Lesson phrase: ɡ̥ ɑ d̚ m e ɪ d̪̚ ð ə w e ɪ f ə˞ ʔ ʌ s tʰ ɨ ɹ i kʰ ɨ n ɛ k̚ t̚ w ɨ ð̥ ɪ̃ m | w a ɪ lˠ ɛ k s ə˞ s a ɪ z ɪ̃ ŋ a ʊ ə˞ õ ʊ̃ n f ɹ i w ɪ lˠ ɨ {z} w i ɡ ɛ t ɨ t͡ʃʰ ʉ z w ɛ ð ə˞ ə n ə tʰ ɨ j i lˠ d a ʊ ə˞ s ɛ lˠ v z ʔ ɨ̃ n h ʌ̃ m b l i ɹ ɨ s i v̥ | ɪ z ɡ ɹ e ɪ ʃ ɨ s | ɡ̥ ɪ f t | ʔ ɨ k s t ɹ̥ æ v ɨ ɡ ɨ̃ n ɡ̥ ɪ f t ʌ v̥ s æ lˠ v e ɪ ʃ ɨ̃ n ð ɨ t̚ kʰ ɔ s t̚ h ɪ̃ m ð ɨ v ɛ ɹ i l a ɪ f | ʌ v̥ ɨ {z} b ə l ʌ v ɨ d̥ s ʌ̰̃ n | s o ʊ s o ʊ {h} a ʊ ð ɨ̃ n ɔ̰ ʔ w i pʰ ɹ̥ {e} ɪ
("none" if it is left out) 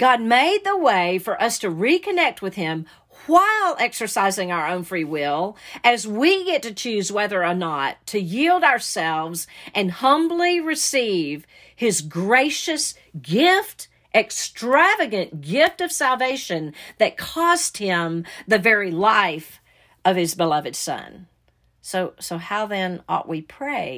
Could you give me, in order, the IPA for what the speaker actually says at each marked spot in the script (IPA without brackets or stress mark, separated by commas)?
z, z, h, e